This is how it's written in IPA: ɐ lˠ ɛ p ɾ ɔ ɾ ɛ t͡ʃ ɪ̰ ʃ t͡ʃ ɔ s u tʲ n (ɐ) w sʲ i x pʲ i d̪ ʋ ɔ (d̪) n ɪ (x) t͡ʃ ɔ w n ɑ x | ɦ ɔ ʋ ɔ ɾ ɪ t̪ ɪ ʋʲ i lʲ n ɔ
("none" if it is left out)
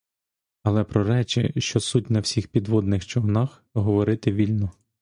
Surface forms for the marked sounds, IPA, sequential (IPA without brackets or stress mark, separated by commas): ɐ, d̪, x